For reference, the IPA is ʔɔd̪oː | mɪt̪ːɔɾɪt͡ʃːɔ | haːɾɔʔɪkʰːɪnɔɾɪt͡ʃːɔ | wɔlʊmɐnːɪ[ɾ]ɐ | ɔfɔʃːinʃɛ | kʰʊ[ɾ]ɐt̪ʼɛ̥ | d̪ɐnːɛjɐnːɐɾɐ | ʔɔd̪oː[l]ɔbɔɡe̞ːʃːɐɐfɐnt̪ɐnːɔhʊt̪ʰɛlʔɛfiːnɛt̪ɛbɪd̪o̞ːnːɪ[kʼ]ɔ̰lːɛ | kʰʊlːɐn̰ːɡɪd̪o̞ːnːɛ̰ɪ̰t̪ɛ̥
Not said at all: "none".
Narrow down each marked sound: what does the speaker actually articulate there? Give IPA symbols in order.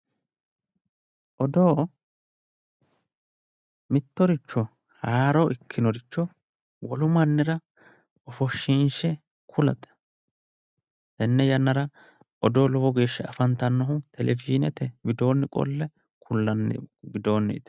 ɾ, l, l, kʼ

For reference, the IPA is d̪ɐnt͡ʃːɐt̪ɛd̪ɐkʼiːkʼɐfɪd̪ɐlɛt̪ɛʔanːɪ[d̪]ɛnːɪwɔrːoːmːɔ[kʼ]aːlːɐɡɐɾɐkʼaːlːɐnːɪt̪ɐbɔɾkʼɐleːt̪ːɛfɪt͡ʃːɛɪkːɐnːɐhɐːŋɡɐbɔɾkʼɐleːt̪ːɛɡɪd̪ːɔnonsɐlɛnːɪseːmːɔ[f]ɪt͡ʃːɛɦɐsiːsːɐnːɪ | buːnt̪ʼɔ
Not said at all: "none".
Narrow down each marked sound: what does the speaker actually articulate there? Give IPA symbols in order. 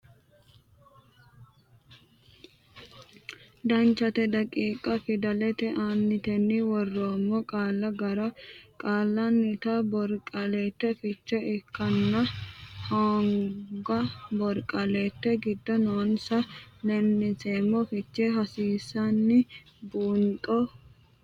t̪, kʼ, f

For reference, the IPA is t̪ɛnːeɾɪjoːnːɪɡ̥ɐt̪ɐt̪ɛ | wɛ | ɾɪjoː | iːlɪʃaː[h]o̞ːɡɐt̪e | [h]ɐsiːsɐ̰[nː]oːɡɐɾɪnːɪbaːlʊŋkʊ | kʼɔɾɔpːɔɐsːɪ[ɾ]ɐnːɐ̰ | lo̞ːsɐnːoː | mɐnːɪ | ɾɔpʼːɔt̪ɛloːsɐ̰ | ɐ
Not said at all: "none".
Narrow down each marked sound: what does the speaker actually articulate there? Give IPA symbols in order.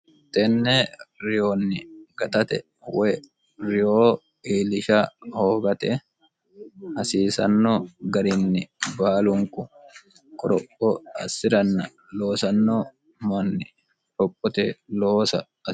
h, h, nː, ɾ

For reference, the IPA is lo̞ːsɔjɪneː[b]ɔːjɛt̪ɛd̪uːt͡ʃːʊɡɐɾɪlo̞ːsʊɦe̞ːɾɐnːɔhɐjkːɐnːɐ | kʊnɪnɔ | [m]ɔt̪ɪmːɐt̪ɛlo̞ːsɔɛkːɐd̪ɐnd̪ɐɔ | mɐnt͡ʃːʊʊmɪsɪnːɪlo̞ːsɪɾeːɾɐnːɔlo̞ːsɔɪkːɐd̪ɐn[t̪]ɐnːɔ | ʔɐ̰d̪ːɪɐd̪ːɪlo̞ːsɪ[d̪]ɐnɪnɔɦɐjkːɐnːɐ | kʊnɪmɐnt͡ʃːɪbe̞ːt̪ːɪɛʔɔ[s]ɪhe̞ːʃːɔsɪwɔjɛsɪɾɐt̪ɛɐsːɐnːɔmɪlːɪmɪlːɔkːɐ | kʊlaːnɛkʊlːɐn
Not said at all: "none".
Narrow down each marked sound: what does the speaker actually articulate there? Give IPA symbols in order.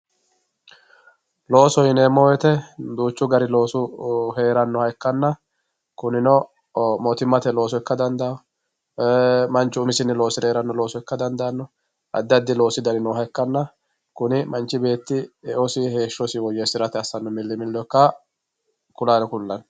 m, m, d̪, d̪, s

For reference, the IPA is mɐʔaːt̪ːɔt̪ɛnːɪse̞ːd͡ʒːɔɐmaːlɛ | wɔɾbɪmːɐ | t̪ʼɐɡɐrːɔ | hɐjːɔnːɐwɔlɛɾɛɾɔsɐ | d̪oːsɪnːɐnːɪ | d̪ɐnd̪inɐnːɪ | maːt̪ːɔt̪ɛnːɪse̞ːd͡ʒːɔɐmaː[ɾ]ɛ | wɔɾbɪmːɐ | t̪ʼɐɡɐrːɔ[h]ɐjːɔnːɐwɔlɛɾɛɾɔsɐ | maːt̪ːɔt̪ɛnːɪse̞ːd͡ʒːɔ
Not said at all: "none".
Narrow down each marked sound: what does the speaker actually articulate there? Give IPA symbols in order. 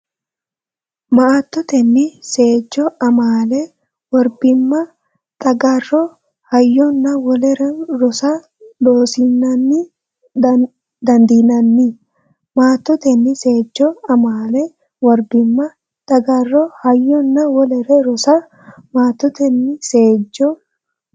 l, h

